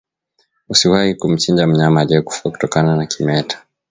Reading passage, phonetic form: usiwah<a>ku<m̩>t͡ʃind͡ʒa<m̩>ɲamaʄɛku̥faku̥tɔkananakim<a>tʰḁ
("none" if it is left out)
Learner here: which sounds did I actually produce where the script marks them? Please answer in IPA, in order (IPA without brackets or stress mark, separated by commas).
i, m̩, m̩, ɛ